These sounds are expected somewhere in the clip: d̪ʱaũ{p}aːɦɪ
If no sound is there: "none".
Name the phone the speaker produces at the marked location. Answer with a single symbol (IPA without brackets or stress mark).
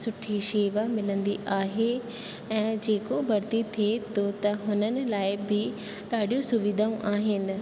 ʔ